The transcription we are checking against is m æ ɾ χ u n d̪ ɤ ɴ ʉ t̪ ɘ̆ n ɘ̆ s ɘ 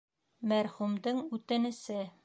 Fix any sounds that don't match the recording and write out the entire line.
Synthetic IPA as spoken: m æ ɾ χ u m d̪ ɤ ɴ ʉ t̪ ɘ̆ n ɘ̆ s ɘ